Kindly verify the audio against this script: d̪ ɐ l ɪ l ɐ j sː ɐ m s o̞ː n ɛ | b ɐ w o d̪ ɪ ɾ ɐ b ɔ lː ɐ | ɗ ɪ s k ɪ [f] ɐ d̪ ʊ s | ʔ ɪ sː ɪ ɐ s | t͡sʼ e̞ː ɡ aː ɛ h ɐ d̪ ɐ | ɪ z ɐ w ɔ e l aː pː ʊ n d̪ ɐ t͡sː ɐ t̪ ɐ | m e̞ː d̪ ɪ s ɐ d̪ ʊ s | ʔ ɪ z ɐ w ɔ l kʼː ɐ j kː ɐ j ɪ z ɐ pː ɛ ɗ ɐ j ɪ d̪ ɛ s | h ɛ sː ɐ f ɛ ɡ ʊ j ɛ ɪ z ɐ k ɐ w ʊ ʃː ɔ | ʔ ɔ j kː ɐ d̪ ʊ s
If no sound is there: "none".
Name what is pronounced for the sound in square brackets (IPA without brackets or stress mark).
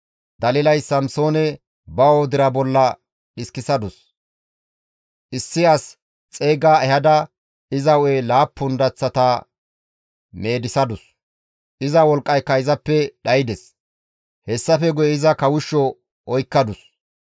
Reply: s